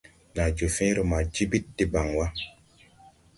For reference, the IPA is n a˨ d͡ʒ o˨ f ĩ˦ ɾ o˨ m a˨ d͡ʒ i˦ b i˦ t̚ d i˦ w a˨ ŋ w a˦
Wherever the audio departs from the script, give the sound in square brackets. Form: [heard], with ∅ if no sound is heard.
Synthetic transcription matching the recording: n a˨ d͡ʒ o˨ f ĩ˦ ɾ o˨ m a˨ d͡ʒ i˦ b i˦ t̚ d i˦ [b] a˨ ŋ w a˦